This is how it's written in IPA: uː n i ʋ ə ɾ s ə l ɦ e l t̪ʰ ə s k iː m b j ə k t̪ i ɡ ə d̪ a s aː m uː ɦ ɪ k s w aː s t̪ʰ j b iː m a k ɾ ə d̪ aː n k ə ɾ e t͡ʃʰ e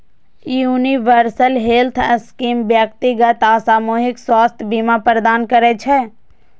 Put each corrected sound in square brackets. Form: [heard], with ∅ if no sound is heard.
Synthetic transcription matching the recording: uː n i ʋ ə ɾ s ə l ɦ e l t̪ʰ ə s k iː m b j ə k t̪ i ɡ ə [t̪] a s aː m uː ɦ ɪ k s w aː s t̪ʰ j b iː m a [p] ɾ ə d̪ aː n k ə ɾ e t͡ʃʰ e